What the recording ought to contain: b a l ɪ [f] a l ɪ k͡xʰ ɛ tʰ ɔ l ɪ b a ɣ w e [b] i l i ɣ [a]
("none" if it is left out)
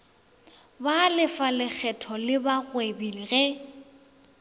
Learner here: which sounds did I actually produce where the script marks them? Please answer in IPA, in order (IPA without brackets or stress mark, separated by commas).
f, b, ɛ